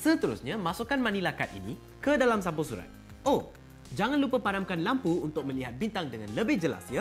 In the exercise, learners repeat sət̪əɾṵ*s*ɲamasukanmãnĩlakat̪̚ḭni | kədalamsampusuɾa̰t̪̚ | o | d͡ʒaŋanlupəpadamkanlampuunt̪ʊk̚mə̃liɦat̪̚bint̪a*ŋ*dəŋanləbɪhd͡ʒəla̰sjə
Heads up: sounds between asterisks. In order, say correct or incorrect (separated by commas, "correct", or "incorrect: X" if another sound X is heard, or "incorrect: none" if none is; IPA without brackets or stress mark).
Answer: correct, correct